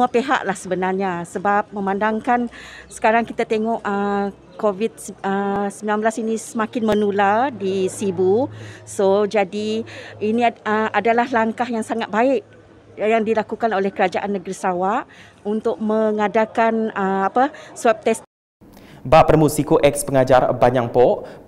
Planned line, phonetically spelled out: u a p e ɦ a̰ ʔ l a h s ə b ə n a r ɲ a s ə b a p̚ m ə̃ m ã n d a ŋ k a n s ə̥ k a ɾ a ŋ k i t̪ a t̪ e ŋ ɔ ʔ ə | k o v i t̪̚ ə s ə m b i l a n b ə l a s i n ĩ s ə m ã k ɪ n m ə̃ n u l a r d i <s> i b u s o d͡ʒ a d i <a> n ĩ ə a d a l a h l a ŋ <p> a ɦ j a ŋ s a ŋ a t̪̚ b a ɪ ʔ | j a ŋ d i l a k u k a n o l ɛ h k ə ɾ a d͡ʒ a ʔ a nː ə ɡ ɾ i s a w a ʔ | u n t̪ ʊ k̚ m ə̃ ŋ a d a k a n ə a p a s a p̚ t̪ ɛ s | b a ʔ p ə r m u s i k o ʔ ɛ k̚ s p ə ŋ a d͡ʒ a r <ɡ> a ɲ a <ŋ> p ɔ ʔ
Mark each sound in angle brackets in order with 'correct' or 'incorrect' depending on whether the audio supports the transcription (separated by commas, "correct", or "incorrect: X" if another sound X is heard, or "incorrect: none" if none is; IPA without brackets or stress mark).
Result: correct, incorrect: i, incorrect: k, incorrect: b, correct